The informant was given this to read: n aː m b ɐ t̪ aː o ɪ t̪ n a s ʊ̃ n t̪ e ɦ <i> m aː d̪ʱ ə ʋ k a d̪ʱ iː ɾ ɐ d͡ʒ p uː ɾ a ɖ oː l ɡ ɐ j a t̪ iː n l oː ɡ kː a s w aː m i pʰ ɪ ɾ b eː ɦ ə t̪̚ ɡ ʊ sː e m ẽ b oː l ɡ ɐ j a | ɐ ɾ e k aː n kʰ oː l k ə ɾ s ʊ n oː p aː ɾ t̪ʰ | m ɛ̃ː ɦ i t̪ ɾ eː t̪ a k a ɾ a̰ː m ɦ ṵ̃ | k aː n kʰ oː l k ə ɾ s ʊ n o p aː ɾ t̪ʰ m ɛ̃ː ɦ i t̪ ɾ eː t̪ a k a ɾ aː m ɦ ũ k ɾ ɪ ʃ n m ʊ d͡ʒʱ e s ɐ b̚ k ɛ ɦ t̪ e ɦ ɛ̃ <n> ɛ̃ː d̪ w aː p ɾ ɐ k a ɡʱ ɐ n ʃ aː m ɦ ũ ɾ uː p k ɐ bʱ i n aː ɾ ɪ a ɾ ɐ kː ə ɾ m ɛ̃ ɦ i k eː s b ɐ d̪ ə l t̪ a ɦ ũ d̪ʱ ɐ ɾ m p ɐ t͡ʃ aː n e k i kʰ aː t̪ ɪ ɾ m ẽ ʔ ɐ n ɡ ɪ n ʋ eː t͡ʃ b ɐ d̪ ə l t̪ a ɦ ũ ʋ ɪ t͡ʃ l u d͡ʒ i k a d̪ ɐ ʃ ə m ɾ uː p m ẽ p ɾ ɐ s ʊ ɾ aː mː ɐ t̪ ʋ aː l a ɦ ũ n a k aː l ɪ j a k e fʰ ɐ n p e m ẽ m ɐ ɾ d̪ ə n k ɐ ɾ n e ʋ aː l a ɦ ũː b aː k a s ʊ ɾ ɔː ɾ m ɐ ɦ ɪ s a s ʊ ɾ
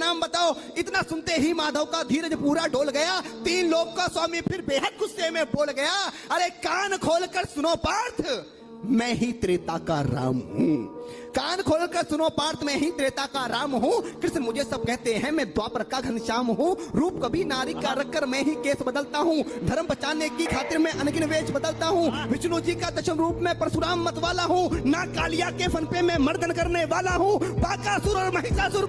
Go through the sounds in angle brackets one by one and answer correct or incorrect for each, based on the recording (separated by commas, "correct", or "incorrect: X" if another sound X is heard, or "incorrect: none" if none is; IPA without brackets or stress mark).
correct, incorrect: m